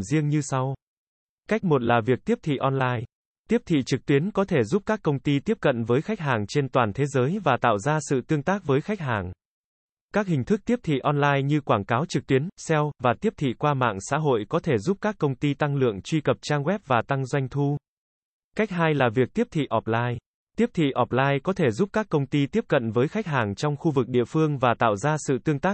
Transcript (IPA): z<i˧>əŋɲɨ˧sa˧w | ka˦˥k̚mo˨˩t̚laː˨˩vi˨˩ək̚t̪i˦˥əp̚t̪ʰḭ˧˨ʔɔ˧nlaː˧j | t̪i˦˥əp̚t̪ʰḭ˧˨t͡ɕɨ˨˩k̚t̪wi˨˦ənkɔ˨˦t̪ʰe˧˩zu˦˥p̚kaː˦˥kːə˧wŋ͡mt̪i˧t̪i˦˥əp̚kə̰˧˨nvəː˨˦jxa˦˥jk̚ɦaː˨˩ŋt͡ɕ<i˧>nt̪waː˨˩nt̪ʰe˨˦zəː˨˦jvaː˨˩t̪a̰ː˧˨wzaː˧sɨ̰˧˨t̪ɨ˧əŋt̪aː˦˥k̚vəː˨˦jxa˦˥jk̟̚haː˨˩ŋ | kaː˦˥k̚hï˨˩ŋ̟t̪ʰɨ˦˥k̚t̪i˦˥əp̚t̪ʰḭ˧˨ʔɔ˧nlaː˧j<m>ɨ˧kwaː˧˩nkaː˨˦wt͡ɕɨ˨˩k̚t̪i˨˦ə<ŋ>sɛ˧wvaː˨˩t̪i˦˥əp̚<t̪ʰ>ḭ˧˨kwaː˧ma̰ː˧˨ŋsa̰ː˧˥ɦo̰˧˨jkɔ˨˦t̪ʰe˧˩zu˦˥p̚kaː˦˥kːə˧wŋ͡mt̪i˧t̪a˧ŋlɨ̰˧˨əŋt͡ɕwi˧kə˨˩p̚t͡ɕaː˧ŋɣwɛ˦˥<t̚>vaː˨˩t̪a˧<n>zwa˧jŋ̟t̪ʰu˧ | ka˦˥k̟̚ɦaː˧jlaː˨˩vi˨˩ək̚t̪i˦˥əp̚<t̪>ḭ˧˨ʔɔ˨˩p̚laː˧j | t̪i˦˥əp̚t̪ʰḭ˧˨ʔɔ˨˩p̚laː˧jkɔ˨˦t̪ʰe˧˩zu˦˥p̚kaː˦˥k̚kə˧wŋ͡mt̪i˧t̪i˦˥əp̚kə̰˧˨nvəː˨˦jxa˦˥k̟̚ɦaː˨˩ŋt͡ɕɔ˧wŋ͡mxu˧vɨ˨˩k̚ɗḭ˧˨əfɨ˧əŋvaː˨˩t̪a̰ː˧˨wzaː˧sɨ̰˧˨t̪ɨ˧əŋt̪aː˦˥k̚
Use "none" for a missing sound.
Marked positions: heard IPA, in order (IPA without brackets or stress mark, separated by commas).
i˧, e˧, ɲ, n, t̪ʰ, p̚, ŋ, t̪ʰ